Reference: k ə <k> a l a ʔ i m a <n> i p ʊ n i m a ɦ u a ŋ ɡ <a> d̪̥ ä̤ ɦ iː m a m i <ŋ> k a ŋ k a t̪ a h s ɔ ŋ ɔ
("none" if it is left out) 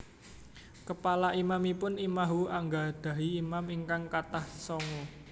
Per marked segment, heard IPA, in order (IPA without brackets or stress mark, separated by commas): p, m, a, ŋ